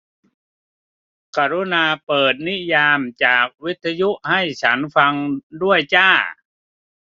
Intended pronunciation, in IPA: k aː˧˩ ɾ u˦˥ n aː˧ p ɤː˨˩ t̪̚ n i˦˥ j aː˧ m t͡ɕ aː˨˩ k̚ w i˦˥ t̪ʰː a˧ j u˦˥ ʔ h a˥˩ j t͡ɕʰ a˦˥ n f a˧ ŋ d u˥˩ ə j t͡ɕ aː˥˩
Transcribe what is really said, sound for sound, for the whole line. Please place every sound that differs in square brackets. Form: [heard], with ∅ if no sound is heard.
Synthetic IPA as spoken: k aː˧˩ ɾ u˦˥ n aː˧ p ɤː˨˩ t̪̚ n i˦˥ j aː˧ m t͡ɕ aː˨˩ k̚ w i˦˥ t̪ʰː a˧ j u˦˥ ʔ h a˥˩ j t͡ɕʰ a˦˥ n f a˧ ŋ d u˥˩ ə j t͡ɕ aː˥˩